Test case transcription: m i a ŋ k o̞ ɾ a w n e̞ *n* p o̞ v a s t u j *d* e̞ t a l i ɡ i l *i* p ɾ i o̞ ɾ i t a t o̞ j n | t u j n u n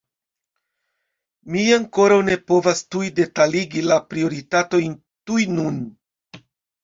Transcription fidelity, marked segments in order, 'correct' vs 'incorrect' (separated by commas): incorrect, correct, incorrect